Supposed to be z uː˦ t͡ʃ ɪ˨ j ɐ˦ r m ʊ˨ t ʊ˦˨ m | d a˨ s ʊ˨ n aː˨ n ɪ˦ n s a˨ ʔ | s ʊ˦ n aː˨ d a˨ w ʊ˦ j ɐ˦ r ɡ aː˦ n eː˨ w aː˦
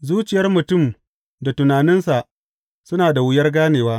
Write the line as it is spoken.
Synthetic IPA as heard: z uː˦ t͡ʃ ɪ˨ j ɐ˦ r m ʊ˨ t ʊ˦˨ m | d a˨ t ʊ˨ n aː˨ n ɪ˦ n s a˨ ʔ | s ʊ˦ n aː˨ d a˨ w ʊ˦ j ɐ˦ r ɡ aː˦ n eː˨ w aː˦